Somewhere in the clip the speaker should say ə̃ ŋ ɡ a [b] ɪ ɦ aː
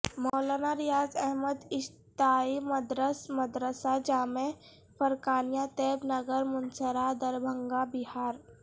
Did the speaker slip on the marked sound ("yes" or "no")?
no